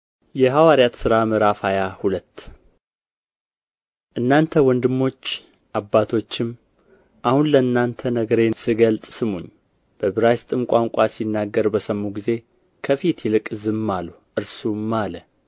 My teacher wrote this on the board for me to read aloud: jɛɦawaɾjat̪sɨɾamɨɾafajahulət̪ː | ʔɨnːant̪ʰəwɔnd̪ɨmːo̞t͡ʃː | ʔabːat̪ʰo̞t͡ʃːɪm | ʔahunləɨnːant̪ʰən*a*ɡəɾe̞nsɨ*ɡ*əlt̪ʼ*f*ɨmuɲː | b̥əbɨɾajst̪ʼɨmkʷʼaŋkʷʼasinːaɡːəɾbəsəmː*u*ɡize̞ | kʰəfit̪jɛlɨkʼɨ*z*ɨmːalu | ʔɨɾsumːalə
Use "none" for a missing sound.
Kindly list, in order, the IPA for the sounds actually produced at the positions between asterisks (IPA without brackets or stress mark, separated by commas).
ə, ɡ, s, u, z